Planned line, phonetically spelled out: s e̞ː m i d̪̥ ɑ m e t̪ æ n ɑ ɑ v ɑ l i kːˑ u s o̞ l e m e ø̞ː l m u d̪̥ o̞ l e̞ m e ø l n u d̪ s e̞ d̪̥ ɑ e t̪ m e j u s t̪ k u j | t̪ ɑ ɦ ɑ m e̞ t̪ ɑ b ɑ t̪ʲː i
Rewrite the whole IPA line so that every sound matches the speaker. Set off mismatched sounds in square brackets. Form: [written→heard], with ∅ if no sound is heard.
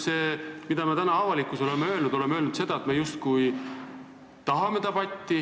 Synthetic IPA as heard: s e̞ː m i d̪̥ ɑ m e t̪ æ n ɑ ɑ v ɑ l i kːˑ u s o̞ l e m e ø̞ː l [m→n] u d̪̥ o̞ l e̞ m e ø l n u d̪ s e̞ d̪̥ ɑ e t̪ m e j u s t̪ k u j | t̪ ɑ ɦ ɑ m e̞ t̪ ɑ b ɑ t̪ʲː i